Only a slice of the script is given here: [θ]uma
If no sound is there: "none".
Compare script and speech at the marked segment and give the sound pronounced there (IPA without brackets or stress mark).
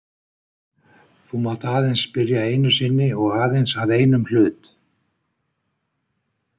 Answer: θ